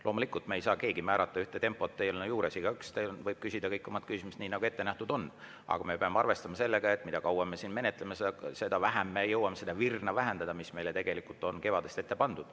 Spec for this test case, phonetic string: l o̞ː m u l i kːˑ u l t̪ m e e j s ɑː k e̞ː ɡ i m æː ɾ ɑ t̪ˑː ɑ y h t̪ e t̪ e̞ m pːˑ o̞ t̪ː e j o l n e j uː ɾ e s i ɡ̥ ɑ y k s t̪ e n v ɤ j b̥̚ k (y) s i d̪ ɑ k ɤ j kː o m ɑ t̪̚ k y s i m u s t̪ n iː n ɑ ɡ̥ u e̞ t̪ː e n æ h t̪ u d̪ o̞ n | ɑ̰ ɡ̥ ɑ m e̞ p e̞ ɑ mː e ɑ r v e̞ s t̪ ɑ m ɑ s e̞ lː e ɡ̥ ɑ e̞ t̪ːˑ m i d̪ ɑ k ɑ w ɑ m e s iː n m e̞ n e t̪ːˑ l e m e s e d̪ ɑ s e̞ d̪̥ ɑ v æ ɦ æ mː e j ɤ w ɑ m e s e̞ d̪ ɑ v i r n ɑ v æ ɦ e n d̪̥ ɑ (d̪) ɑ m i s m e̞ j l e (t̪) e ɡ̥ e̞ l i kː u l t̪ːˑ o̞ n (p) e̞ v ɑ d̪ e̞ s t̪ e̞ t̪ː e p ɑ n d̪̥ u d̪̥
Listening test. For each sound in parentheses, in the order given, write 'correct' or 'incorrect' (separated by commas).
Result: correct, correct, correct, incorrect